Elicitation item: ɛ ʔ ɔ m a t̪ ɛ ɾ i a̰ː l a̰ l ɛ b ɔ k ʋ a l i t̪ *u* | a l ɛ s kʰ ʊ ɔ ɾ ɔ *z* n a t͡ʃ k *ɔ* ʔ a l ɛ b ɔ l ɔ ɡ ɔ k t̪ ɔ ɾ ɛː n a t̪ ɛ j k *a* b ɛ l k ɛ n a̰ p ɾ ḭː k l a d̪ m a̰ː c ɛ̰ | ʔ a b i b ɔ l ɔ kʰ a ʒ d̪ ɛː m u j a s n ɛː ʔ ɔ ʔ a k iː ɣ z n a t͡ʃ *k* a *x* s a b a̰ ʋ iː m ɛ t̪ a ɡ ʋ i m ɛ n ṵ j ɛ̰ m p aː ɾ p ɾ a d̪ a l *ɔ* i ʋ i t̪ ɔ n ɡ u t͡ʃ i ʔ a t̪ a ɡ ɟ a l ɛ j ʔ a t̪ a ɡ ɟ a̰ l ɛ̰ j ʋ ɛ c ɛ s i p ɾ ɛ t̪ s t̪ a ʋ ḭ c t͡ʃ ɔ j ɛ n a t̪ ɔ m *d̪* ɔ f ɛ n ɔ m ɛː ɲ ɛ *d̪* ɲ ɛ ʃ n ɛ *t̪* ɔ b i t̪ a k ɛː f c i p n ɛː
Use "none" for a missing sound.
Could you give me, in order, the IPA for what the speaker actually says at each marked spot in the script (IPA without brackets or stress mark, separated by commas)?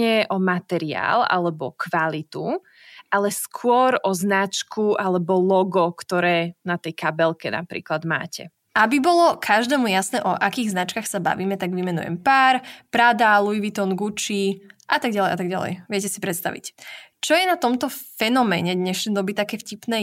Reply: u, z, u, a, k, x, u, t̪, d̪, d̪